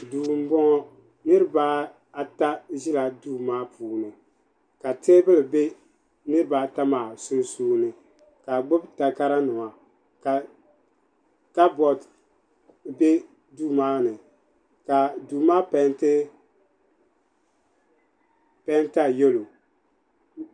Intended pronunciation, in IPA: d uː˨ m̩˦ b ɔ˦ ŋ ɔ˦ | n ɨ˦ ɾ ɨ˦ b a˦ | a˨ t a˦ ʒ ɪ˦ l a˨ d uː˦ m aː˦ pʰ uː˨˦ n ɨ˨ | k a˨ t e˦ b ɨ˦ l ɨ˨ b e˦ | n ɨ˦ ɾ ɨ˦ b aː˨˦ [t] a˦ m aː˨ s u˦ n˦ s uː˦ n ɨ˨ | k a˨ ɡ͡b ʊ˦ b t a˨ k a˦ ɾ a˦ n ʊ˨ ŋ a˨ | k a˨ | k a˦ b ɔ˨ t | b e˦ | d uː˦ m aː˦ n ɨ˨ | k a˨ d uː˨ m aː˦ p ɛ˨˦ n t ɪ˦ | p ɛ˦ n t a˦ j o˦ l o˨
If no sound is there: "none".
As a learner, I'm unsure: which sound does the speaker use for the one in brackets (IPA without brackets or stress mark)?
t